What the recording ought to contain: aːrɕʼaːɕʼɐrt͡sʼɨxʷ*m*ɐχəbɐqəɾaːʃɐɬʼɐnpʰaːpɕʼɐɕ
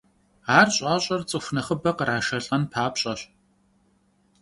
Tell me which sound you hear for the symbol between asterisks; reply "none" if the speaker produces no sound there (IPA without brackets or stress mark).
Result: n